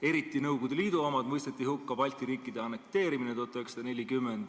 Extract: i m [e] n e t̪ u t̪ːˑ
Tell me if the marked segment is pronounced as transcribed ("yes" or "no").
no